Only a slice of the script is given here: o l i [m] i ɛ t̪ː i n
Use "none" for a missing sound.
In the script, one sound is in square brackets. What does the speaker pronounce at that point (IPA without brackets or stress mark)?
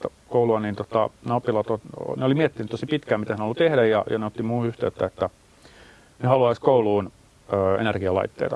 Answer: m